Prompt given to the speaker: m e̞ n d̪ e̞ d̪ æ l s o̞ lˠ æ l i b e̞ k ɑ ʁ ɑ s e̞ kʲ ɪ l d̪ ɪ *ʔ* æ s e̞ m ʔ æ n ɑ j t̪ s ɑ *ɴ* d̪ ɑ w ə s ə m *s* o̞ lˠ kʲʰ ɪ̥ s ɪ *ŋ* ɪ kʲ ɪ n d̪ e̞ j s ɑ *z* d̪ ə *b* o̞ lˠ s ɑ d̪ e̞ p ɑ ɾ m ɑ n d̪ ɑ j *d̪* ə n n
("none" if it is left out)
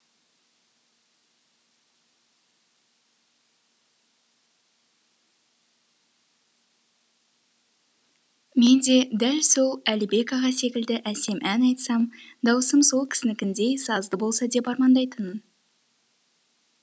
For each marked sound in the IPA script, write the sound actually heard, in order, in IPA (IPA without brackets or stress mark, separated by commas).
ʔ, m, s, n, z, b, t̪